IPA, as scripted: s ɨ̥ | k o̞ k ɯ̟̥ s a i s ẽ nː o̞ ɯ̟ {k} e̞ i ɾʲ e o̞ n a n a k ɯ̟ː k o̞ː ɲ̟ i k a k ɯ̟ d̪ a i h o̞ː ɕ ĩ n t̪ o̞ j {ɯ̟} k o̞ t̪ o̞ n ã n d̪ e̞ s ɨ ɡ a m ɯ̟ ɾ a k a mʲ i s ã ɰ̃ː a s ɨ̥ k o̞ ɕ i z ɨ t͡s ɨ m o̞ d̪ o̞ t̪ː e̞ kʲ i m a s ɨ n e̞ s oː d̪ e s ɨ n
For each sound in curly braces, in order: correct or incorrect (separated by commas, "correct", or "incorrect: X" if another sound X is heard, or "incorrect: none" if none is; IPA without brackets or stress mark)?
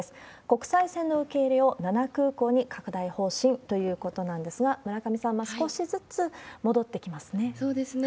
correct, incorrect: ɯ̟ː